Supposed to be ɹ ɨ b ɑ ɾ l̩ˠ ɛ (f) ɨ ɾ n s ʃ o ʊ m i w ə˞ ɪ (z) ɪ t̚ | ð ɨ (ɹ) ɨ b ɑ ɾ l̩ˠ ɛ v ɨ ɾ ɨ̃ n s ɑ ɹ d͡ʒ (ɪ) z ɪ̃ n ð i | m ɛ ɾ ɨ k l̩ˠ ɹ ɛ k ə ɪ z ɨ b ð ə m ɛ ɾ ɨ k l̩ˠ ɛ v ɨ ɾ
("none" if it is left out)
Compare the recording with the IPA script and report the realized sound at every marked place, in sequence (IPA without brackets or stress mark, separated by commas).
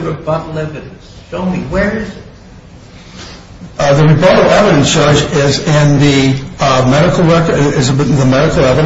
v, z, ɹ, ɪ